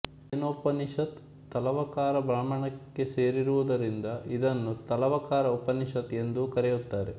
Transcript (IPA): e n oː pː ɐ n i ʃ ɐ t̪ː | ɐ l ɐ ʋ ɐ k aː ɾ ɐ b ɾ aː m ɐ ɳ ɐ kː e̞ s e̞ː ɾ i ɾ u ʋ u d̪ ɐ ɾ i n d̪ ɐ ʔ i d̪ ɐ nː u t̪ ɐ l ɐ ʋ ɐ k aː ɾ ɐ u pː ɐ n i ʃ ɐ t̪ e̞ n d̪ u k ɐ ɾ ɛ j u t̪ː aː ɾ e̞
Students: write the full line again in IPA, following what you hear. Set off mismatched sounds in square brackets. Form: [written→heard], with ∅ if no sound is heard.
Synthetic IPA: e n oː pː ɐ n i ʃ ɐ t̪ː | ɐ l ɐ ʋ ɐ k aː ɾ ɐ b ɾ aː m ɐ ɳ ɐ kː e̞ s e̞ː ɾ i ɾ u ʋ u d̪ ɐ ɾ i n d̪ ɐ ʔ i d̪ ɐ nː u t̪ ɐ l ɐ ʋ ɐ k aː ɾ ɐ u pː ɐ n i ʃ ɐ t̪ e̞ n d̪ u k ɐ ɾ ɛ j u t̪ː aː ɾ e̞